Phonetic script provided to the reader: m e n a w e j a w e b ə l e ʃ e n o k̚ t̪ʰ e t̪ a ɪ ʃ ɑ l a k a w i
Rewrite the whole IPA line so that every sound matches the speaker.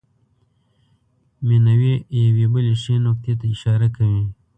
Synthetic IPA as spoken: m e n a w e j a w e b ə l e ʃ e n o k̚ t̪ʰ e t̪ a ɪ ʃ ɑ ɾ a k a w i

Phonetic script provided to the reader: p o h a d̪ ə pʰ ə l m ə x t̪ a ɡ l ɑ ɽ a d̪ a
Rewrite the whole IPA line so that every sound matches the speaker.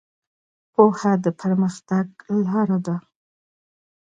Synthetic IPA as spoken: p o h a d̪ ə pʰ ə ɾ m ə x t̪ a ɡ l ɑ ɾ a d̪ a

